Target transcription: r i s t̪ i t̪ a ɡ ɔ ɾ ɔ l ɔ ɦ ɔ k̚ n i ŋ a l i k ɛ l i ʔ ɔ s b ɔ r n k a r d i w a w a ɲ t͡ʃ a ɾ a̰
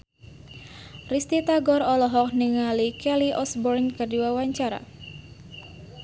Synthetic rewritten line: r i s t̪ i t̪ a ɡ ɔ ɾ ɔ l ɔ ɦ ɔ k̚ n i ŋ a l i k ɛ l i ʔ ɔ s b ɔ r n k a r d i w a w a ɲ t͡ʃ a ɾ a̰